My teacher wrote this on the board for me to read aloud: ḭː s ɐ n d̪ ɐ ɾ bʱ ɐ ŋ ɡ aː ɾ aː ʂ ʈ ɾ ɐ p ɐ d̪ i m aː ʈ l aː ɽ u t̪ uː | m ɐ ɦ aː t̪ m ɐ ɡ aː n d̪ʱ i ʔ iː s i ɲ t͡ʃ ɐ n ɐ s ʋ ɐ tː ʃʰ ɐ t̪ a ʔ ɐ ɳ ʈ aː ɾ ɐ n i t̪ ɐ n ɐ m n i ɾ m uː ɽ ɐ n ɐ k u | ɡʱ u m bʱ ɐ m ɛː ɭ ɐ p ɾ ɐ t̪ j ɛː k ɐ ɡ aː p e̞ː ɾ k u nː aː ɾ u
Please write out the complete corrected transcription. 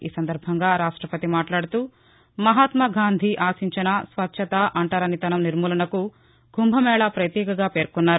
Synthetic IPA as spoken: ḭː s ɐ n d̪ ɐ ɾ bʱ ɐ ŋ ɡ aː ɾ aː ʂ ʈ ɾ ɐ p ɐ t̪ i m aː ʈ l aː ɽ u t̪ uː | m ɐ ɦ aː t̪ m ɐ ɡ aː n d̪ʱ i ʔ aː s i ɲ t͡ʃ ɐ n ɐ s ʋ ɐ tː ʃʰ ɐ t̪ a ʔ ɐ ɳ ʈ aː ɾ ɐ n i t̪ ɐ n ɐ m n i ɾ m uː l ɐ n ɐ k u | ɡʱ u m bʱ ɐ m ɛː ɭ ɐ p ɾ ɐ t̪ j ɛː k ɐ ɡ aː p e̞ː ɾ k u nː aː ɾ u